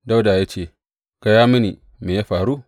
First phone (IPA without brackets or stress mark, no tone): d